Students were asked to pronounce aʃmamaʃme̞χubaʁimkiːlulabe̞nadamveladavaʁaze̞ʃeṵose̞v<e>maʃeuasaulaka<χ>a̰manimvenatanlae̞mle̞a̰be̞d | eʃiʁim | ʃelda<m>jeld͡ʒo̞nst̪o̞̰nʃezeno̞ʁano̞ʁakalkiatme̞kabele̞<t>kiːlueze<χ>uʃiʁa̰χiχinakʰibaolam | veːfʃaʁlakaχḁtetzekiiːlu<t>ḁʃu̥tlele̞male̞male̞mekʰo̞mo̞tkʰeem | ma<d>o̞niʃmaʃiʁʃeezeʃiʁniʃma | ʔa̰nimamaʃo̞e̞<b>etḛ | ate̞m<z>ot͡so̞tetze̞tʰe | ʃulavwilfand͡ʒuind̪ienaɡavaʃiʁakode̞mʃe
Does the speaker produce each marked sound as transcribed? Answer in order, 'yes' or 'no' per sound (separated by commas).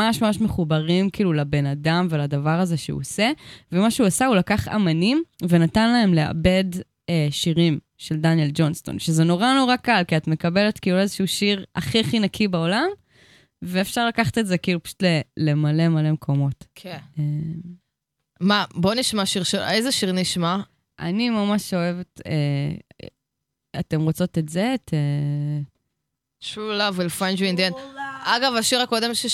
yes, yes, no, yes, no, no, no, no, no